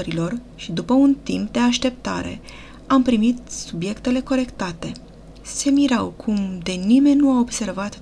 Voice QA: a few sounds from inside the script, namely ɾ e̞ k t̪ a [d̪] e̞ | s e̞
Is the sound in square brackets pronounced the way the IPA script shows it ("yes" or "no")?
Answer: no